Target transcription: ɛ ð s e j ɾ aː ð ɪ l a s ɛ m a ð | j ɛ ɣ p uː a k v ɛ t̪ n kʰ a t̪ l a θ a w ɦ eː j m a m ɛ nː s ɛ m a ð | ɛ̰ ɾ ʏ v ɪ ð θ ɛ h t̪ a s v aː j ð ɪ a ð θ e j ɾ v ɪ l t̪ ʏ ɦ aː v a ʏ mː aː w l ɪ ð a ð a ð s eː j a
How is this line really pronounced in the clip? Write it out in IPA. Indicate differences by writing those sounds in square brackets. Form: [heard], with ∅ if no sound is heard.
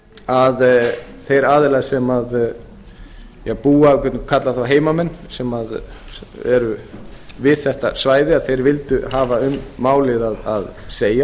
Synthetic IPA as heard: [a] ð [θ] e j ɾ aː ð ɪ l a s ɛ m a ð | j ɛ ɣ p uː a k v ɛ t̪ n kʰ a t̪ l a θ a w ɦ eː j m a m ɛ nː s ɛ m a ð | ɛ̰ ɾ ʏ v ɪ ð θ ɛ h t̪ a s v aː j ð ɪ a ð θ e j ɾ v ɪ l t̪ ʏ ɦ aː v a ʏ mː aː w l ɪ ð a ð a ð s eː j a